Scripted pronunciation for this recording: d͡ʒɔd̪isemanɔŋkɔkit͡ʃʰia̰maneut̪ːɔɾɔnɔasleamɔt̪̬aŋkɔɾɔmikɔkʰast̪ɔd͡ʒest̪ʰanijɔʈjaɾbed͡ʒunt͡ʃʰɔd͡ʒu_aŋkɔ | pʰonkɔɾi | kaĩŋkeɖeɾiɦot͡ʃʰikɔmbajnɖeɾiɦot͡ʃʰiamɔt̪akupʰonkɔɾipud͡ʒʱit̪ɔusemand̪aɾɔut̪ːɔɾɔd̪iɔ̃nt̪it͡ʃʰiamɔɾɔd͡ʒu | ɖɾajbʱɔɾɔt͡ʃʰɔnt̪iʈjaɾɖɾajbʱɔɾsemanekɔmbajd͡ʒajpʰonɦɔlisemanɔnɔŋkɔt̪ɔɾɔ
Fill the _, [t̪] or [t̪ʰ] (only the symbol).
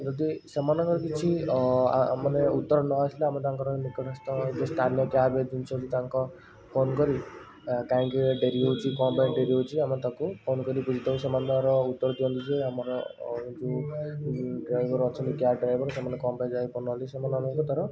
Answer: t̪